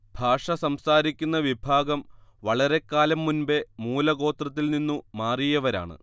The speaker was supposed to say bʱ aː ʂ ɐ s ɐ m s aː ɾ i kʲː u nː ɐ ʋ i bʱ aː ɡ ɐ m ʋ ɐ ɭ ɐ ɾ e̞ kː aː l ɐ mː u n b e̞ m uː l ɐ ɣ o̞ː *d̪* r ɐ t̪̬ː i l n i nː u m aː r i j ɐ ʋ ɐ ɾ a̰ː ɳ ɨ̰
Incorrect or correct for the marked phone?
incorrect: t̪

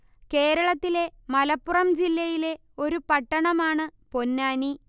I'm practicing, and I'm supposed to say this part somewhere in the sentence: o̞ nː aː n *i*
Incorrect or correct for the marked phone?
correct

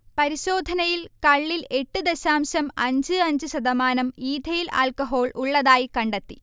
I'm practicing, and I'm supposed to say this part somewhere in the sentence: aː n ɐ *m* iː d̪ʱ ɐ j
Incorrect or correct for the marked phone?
correct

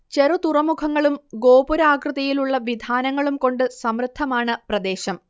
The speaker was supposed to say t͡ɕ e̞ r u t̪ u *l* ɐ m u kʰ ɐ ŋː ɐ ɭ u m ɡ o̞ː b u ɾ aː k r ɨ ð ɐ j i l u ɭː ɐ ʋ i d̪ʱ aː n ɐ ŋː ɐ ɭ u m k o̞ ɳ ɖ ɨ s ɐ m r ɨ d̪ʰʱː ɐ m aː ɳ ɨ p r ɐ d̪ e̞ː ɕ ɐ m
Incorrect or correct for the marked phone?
incorrect: r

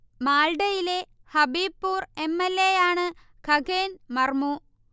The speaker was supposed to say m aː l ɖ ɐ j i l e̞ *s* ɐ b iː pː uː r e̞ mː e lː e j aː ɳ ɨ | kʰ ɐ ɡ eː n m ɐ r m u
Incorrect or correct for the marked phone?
incorrect: h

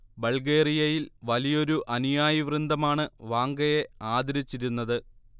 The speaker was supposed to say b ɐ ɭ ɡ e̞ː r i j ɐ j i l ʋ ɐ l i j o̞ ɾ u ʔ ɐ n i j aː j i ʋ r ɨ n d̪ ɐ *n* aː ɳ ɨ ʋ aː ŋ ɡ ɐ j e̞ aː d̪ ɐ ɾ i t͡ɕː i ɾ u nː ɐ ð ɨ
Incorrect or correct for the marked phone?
incorrect: m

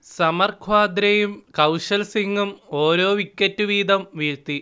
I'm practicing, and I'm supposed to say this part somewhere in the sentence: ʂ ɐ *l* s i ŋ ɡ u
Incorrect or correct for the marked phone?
correct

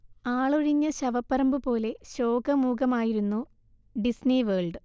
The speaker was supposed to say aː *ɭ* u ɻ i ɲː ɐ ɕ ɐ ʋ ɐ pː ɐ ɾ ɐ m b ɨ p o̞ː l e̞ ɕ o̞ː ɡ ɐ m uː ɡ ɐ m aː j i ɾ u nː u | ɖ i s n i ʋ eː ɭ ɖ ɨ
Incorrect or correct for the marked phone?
correct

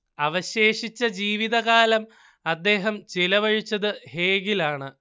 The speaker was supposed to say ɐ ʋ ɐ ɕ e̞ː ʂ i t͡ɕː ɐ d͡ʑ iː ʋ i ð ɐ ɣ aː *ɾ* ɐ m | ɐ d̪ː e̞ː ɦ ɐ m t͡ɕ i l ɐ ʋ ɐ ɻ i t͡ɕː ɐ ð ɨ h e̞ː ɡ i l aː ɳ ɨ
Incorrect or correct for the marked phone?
incorrect: l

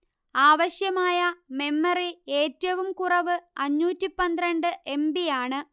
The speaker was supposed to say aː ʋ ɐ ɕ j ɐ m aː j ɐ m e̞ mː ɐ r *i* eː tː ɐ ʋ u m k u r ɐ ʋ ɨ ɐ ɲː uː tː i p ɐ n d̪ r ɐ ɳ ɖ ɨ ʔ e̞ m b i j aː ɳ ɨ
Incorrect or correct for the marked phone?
correct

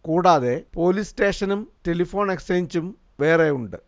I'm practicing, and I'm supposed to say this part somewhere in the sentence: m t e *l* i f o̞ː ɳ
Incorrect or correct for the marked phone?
correct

